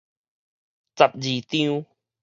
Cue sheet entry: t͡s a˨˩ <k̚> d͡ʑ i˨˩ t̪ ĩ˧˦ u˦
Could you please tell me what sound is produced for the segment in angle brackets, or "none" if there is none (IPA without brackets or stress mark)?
p̚